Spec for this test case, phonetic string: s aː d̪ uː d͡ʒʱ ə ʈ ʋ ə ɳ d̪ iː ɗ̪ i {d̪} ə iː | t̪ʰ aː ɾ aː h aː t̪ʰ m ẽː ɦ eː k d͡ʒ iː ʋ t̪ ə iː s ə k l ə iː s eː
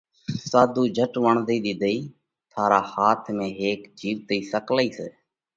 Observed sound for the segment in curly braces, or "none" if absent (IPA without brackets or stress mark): d̪